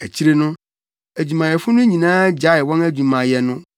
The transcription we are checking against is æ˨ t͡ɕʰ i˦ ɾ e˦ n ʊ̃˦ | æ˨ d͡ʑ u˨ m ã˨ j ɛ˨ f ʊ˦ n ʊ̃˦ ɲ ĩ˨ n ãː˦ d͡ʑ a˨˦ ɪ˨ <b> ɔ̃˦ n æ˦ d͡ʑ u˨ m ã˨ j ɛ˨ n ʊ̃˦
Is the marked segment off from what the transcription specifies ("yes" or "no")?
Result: yes